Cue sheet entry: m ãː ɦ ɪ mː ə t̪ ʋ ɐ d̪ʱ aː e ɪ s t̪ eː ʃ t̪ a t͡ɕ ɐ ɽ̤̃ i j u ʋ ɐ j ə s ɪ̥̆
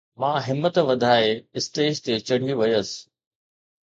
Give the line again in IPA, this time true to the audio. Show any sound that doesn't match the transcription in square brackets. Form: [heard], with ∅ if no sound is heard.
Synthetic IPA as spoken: m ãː ɦ ɪ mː ə t̪ ʋ ɐ d̪ʱ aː e ɪ s t̪ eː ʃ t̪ [e] t͡ɕ ɐ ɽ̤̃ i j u ʋ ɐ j ə s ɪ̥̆